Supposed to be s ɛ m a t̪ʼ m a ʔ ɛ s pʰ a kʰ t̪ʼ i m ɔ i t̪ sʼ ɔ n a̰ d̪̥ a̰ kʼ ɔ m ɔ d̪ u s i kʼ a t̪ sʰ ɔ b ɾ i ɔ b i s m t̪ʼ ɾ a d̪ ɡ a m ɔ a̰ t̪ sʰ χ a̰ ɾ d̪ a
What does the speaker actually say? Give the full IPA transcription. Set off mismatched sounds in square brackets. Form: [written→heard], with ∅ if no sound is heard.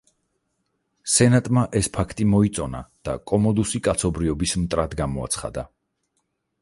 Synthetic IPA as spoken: s ɛ [m→n] a t̪ʼ m a ʔ ɛ s pʰ a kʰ t̪ʼ i m ɔ i t̪ sʼ ɔ n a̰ d̪̥ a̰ kʼ ɔ m ɔ d̪ u s i kʼ a t̪ sʰ ɔ b ɾ i ɔ b i s m t̪ʼ ɾ a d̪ ɡ a m ɔ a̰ t̪ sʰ χ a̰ [ɾ→∅] d̪ a